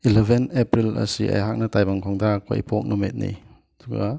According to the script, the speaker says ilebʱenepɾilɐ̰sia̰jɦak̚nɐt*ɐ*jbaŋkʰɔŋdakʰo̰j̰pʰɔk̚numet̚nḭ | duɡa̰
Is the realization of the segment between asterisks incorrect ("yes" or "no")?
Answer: yes